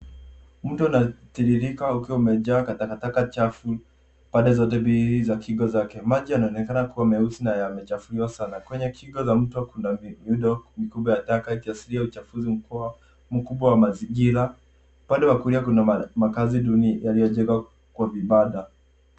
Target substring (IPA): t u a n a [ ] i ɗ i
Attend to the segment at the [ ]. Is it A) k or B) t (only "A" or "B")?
B